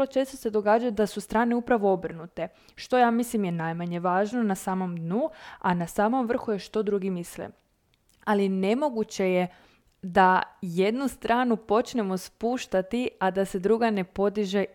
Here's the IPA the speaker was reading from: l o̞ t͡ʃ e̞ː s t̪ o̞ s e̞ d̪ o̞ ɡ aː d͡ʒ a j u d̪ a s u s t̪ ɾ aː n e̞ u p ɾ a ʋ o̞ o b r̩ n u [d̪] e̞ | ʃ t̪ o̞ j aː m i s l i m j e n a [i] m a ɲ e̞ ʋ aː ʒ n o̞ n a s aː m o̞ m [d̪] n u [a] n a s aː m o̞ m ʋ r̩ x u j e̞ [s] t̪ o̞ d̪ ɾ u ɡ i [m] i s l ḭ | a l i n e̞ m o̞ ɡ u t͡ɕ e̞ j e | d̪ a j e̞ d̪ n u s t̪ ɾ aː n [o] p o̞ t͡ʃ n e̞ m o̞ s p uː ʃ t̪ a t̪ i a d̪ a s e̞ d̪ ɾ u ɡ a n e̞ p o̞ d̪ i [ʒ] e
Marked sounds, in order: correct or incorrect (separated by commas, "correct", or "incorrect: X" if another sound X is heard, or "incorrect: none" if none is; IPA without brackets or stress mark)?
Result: incorrect: t̪, incorrect: j, correct, correct, incorrect: ʃ, correct, incorrect: u, correct